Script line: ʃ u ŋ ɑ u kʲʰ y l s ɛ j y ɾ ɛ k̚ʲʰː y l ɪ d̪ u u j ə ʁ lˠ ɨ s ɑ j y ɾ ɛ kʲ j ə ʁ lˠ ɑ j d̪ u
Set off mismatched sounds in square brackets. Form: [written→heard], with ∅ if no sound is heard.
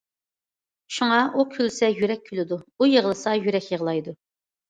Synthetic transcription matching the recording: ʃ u ŋ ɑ u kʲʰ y l s ɛ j y ɾ ɛ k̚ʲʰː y l ɪ d̪ u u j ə ʁ lˠ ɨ s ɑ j y ɾ ɛ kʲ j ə ʁ lˠ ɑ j d̪ u

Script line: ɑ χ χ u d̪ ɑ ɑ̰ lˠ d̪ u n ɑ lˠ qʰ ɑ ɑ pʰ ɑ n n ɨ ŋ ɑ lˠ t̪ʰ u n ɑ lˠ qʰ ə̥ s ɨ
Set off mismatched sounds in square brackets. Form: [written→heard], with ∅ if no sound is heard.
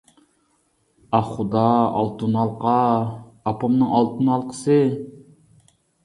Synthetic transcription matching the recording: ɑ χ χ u d̪ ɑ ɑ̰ lˠ [d̪→t̪] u n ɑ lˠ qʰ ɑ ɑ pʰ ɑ [n→m] n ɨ ŋ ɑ lˠ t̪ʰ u n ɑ lˠ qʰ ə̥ s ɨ

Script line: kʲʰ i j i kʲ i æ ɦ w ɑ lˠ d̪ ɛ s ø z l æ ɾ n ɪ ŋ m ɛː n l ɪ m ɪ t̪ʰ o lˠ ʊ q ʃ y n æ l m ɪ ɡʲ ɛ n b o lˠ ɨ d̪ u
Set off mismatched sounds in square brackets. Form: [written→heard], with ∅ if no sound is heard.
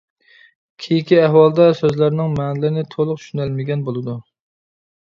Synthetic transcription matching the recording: kʲʰ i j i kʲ i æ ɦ w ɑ lˠ d̪ ɛ s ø z l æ ɾ n ɪ ŋ m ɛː n l ɪ [m→n] ɪ t̪ʰ o lˠ ʊ q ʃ y n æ l m ɪ ɡʲ ɛ n b o lˠ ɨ d̪ u

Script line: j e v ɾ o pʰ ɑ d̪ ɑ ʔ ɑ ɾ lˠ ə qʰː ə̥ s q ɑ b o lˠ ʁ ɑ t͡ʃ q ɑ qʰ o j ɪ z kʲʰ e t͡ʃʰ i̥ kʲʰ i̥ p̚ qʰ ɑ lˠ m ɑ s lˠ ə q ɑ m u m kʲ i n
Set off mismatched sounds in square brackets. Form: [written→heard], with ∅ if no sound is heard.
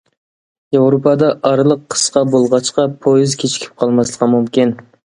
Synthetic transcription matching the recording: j e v ɾ o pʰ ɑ d̪ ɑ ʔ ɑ ɾ lˠ ə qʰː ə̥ s q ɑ b o lˠ ʁ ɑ t͡ʃ q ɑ [qʰ→pʰ] o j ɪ z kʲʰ e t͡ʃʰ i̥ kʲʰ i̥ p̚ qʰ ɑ lˠ m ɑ s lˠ ə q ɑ m u m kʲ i n

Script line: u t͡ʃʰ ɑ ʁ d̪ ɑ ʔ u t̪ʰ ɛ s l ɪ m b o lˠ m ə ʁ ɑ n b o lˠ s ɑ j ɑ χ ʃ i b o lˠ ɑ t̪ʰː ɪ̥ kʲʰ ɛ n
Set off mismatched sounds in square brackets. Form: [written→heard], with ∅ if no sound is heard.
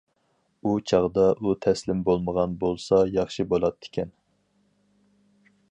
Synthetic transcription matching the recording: u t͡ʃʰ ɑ ʁ d̪ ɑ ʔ u t̪ʰ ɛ s l ɪ m b o lˠ m ə ʁ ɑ n b o lˠ s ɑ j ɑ χ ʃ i b o lˠ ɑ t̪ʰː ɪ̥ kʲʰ ɛ n

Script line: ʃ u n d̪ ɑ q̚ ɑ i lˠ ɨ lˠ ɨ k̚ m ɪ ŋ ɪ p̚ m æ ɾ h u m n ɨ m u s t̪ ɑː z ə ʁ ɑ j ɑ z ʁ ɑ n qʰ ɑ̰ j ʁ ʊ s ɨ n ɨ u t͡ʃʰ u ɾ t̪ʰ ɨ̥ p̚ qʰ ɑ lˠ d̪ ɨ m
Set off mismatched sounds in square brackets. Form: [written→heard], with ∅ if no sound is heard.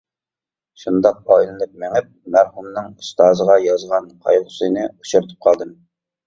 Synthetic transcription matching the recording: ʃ u n d̪ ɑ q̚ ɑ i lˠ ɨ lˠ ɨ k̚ m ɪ ŋ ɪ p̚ m æ ɾ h u m n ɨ [m→ŋ] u s t̪ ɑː z ə ʁ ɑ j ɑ z ʁ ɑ n qʰ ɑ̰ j ʁ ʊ s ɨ n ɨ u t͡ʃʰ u ɾ t̪ʰ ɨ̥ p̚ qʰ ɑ lˠ d̪ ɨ m

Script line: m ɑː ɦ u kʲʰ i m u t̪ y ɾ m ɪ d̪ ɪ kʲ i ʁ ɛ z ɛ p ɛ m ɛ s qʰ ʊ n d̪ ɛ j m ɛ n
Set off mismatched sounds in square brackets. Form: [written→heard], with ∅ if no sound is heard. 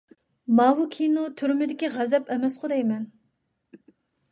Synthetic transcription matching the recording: m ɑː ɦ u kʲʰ i [m→n] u [t̪→t̪ʰ] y ɾ m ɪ d̪ ɪ kʲ i ʁ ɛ z ɛ p ɛ m ɛ s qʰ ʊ [n→∅] d̪ ɛ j m ɛ n

